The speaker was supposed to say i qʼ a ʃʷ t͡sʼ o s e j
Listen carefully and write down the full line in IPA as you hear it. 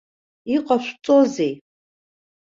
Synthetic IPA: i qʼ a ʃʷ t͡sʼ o z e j